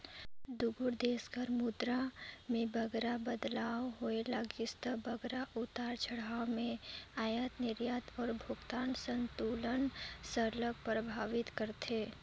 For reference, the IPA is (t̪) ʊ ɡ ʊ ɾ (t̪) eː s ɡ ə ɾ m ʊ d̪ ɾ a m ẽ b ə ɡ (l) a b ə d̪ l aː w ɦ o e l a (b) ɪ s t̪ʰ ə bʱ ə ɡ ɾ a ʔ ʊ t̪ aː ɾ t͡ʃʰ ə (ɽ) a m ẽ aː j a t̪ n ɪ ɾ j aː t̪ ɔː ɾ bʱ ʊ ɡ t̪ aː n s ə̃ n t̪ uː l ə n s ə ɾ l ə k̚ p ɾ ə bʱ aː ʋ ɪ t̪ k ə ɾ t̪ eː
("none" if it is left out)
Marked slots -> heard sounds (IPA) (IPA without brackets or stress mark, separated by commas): d̪, d̪, ɾ, ɡ, ɽ